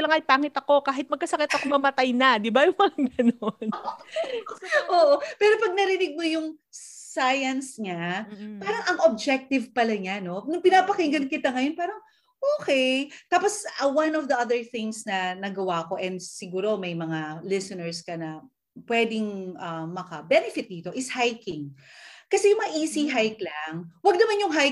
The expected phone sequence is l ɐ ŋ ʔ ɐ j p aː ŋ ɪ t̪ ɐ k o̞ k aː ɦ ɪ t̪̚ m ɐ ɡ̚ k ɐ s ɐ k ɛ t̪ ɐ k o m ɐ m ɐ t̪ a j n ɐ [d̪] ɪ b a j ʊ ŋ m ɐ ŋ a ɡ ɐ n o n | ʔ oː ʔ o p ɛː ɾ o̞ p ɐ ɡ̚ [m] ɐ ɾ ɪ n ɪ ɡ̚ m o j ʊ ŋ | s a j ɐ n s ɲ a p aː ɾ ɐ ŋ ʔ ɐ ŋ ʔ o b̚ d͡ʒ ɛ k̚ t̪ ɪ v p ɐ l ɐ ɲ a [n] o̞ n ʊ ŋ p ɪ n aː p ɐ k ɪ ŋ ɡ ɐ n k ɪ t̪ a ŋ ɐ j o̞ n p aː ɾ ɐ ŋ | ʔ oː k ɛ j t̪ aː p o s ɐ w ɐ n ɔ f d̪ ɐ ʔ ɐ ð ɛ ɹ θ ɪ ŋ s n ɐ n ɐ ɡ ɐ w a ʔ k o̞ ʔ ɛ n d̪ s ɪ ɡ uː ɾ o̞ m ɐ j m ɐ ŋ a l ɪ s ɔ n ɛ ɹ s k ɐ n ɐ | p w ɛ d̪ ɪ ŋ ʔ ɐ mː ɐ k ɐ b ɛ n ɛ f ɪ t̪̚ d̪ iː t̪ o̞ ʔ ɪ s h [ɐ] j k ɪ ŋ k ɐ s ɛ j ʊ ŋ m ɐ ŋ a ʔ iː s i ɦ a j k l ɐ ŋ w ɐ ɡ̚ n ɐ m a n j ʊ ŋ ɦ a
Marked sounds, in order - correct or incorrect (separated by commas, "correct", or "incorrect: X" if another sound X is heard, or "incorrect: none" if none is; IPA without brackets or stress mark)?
correct, incorrect: n, correct, incorrect: a